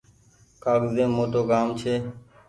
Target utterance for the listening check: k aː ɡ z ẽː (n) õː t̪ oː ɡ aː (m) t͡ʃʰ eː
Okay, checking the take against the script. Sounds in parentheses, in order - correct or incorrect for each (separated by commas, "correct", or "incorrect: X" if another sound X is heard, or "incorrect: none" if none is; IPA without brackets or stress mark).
incorrect: m, correct